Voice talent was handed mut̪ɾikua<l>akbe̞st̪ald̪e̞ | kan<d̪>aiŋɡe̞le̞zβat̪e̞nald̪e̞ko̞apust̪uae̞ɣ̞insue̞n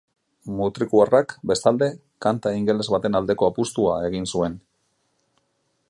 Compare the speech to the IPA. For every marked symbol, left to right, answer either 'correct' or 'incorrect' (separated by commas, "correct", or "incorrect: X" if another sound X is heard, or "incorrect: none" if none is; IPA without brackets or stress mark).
incorrect: r, incorrect: t̪